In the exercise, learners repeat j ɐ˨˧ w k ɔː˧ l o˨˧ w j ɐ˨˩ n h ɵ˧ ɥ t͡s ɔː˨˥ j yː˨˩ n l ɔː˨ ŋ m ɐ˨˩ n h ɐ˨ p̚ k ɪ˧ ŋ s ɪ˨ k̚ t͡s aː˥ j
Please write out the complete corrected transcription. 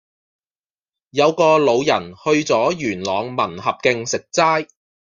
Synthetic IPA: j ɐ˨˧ w k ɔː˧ l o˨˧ w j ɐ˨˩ n h ɵ˧ ɥ t͡s ɔː˨˥ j yː˨˩ n l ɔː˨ ŋ m ɐ˨˩ n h ɐ˨ p̚ k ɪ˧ ŋ s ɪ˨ k̚ t͡s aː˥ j